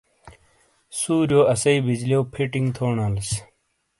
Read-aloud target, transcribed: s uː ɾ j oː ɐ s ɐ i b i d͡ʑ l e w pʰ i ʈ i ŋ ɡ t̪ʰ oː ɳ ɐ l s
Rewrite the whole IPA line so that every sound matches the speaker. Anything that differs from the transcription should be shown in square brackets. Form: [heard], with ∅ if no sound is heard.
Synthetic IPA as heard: s uː ɾ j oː ɐ s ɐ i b i d͡ʑ l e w pʰ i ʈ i ŋ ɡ t̪ʰ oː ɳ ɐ l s